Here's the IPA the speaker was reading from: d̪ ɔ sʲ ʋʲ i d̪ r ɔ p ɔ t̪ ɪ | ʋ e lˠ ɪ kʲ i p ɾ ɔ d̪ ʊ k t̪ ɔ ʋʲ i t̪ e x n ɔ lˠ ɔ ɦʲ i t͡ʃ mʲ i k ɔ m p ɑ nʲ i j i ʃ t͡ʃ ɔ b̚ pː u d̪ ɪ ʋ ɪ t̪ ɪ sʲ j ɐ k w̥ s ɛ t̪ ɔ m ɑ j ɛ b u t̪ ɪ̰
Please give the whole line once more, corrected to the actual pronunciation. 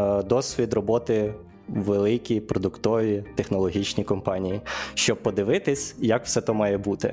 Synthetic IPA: d̪ ɔ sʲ ʋʲ i d̪ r ɔ b ɔ t̪ ɪ | ʋ e lˠ ɪ kʲ i p ɾ ɔ d̪ ʊ k t̪ ɔ ʋʲ i t̪ e x n ɔ lˠ ɔ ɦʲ i t͡ʃ nʲ i k ɔ m p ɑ nʲ i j i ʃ t͡ʃ ɔ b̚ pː ɔ d̪ ɪ ʋ ɪ t̪ ɪ sʲ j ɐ k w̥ s ɛ t̪ ɔ m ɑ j ɛ b u t̪ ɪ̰